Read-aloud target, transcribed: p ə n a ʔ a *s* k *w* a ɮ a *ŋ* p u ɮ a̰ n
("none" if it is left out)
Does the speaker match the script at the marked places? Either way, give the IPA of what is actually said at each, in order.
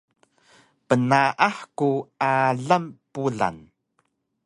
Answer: ħ, u, m

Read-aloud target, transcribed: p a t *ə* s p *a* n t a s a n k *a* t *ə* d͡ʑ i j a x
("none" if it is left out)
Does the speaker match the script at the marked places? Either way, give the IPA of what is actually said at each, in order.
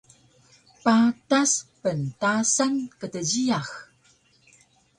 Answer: a, ə, ə, ə

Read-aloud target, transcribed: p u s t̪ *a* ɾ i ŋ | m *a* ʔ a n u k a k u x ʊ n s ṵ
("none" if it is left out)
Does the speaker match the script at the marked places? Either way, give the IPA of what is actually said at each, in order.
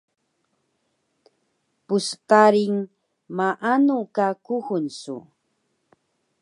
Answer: a, a

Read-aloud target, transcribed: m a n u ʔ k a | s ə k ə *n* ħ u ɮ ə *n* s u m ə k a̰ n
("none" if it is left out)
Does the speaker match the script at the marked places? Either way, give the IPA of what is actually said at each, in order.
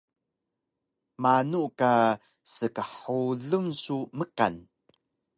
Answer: none, m

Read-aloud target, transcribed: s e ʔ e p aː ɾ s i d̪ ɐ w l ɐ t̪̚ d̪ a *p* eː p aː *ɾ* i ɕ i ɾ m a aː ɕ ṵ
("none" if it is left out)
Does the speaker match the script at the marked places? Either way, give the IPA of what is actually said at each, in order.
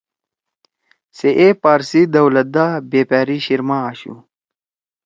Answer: b, ɾ

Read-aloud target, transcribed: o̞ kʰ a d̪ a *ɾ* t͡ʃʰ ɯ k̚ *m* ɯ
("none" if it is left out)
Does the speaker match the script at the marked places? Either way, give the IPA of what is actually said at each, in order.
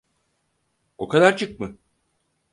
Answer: ɾ, m

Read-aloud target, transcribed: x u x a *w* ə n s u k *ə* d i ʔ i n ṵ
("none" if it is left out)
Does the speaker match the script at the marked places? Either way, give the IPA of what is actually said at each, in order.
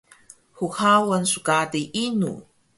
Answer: w, a

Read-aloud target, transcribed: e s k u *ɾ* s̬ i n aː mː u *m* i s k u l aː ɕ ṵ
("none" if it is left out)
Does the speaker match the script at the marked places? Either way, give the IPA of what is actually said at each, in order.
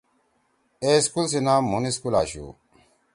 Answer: l, n

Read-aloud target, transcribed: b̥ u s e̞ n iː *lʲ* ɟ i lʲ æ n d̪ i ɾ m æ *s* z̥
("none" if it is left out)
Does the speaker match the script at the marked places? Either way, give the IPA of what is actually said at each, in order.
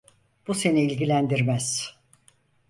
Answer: lʲ, none

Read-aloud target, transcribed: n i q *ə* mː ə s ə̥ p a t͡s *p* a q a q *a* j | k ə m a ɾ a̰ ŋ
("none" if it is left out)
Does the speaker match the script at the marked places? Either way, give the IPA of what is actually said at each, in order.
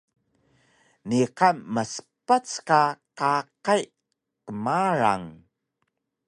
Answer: a, k, a

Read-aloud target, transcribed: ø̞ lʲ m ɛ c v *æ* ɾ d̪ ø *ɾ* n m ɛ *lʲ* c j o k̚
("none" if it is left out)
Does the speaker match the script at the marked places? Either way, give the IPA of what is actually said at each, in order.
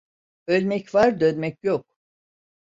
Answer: a, none, none

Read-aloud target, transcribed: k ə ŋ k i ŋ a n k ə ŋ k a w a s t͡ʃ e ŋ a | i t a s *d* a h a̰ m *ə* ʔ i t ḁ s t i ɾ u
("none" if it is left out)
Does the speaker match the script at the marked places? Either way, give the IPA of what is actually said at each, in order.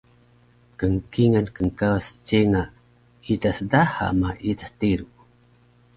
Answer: d, a

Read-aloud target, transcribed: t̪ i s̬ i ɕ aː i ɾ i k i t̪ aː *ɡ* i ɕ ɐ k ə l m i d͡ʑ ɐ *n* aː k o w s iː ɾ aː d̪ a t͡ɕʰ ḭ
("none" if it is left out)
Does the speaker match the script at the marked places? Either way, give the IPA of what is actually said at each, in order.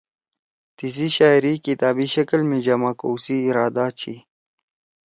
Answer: b, m

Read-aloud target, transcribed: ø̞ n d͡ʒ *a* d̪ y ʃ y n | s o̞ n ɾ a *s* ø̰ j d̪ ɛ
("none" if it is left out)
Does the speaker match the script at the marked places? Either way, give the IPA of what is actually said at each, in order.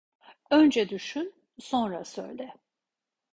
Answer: ɛ, s

